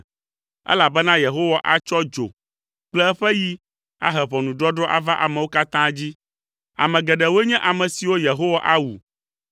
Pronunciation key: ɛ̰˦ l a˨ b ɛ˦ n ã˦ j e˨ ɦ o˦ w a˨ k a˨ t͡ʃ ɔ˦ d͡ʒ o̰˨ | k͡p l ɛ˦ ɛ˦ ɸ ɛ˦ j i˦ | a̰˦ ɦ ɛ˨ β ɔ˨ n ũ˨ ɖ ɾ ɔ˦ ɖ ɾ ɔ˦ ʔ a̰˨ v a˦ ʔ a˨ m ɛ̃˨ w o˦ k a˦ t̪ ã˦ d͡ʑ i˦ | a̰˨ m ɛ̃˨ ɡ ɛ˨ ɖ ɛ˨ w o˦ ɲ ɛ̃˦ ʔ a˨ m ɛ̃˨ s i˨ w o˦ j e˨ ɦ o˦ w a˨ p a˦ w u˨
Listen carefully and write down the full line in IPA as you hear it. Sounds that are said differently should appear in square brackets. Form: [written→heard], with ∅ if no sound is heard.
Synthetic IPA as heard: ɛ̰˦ l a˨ b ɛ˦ n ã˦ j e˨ ɦ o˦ w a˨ [k→ʔ] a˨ t͡ʃ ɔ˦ d͡ʒ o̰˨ | k͡p l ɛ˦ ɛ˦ ɸ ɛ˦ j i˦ | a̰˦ ɦ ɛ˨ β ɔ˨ n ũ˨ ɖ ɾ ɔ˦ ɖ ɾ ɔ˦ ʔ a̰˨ v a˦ ʔ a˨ m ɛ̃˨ w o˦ k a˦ t̪ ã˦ d͡ʑ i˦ | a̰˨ m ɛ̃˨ ɡ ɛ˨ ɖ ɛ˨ w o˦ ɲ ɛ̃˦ ʔ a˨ m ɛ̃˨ s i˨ w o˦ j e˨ ɦ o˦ w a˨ [p→ʔ] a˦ w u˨